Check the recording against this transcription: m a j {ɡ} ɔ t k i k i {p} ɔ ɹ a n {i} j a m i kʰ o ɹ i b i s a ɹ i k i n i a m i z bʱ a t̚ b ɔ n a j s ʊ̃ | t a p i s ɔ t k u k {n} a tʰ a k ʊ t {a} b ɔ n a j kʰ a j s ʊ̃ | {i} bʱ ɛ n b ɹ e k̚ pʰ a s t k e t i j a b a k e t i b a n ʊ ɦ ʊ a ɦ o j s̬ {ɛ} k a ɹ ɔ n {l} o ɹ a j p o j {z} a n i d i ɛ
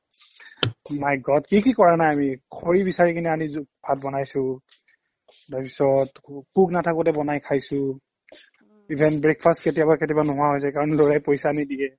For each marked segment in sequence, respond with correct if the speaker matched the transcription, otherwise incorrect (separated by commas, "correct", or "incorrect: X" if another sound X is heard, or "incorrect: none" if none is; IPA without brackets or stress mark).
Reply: correct, incorrect: k, incorrect: a, correct, incorrect: ɛ, correct, correct, correct, incorrect: s